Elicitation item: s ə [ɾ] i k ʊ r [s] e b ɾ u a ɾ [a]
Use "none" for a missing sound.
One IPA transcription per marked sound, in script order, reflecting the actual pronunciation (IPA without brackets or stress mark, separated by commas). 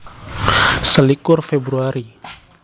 l, f, i